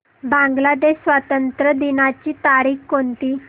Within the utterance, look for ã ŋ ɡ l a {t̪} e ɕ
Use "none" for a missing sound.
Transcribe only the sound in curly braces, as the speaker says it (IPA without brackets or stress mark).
d̪